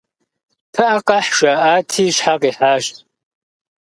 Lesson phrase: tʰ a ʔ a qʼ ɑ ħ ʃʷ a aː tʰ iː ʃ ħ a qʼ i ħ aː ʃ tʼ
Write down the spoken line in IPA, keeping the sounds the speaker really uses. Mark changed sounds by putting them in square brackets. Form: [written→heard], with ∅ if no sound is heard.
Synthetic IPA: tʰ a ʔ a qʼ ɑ ħ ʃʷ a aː tʰ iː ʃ ħ a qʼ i ħ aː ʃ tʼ